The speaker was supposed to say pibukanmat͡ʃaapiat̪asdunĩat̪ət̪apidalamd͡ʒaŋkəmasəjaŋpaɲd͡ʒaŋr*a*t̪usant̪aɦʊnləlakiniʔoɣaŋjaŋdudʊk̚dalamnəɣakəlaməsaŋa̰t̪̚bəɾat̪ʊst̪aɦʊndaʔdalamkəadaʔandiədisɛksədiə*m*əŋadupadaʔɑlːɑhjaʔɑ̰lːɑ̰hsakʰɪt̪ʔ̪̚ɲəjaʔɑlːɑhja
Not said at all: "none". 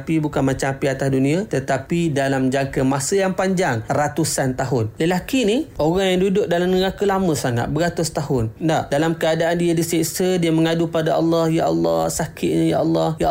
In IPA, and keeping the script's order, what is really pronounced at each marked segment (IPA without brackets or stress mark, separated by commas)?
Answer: a, m